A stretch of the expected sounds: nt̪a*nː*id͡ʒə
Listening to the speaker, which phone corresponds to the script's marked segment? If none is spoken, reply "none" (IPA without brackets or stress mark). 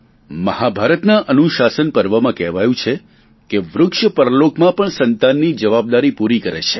nː